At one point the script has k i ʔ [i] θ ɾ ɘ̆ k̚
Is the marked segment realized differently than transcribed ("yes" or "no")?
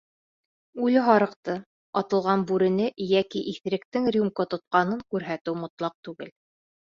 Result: no